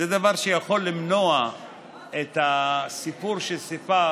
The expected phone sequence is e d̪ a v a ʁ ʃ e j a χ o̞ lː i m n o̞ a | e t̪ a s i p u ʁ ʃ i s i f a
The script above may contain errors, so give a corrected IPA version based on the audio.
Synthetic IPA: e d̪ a v a ʁ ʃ e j a χ o̞ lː i m n o̞ a | e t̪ a s i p u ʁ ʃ e s i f a